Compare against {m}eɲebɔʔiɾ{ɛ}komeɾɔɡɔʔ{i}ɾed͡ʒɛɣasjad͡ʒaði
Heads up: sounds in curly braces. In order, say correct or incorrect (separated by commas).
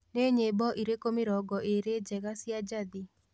incorrect, incorrect, incorrect